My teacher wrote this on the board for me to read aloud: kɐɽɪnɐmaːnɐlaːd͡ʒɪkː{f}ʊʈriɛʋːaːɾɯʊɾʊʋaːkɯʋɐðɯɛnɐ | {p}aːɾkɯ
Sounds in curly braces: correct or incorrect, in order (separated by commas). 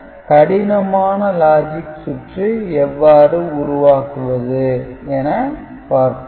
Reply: incorrect, correct